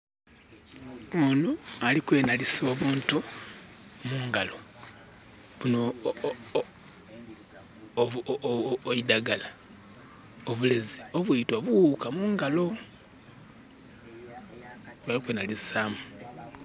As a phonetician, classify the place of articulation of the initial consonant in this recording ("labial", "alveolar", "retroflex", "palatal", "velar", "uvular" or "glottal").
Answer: alveolar